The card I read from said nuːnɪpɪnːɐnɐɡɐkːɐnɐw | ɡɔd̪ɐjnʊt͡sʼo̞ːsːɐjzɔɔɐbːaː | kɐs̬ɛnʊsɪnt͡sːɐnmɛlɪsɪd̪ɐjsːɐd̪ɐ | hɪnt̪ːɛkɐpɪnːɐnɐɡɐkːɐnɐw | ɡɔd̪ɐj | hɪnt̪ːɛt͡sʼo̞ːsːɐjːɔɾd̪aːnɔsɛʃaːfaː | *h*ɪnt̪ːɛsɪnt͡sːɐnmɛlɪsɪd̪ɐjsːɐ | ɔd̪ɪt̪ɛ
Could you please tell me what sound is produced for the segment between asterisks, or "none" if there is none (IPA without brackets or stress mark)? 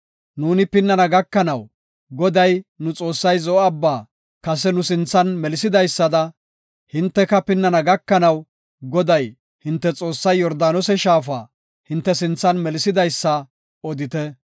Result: h